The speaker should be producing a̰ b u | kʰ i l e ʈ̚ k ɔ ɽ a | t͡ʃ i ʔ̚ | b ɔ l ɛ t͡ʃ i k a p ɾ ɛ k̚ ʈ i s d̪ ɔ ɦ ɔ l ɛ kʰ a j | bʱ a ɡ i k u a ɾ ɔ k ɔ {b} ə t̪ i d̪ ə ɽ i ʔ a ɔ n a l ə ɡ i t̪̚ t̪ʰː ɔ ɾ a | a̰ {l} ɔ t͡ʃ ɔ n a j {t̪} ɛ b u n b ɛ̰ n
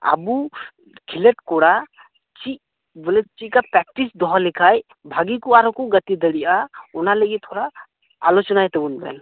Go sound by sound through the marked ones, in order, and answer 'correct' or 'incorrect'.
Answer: incorrect, correct, correct

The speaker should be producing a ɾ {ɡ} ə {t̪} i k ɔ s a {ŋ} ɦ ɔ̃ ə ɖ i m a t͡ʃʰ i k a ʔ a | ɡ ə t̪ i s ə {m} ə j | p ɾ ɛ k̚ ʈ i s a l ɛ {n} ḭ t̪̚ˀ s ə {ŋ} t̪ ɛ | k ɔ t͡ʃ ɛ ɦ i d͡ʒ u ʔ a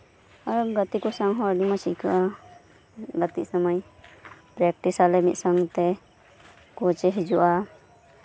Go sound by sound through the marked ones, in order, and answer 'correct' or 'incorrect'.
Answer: correct, correct, correct, correct, incorrect, correct

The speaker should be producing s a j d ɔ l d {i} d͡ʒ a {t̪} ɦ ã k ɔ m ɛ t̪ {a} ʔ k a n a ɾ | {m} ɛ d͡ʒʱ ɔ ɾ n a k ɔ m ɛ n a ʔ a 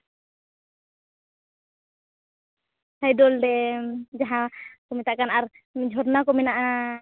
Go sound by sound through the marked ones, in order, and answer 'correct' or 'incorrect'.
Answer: incorrect, incorrect, correct, correct

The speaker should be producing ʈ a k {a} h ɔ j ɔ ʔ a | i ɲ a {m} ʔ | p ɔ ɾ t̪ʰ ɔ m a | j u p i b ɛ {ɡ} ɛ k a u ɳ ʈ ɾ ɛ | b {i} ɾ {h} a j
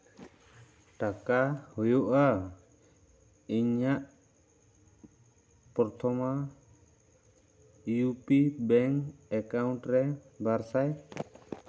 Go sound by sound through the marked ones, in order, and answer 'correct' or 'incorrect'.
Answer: correct, incorrect, incorrect, incorrect, incorrect

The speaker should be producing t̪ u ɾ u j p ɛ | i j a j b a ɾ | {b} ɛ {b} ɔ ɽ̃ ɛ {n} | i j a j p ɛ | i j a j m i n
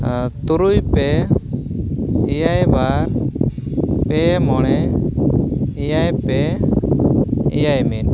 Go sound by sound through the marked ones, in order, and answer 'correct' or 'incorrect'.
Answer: incorrect, incorrect, incorrect

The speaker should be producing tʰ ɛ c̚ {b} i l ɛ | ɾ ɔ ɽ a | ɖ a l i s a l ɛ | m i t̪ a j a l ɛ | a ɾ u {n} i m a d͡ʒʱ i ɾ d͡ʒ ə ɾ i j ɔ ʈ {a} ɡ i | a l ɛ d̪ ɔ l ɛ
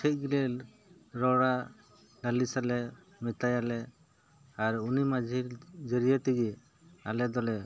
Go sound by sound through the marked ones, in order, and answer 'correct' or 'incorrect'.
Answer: incorrect, correct, incorrect

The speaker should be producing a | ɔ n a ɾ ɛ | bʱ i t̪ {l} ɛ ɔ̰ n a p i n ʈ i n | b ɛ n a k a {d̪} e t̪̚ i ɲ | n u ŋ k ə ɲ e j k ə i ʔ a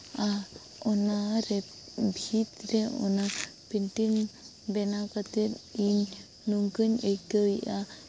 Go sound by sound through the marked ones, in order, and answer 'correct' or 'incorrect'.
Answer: incorrect, incorrect

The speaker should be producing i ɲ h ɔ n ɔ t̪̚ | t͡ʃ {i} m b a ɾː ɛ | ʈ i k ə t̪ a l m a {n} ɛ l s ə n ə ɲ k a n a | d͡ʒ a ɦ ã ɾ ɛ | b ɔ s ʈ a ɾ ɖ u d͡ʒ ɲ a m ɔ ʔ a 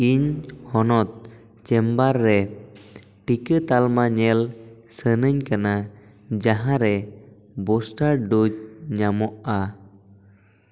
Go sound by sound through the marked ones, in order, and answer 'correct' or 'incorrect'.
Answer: incorrect, incorrect

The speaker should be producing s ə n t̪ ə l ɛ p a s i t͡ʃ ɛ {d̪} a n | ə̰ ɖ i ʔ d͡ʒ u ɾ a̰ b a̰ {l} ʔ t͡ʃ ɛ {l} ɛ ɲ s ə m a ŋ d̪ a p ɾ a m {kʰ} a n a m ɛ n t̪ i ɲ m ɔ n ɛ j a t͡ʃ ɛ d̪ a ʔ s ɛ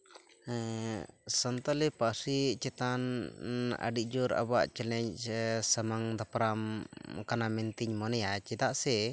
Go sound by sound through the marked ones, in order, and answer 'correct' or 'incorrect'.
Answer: incorrect, incorrect, correct, incorrect

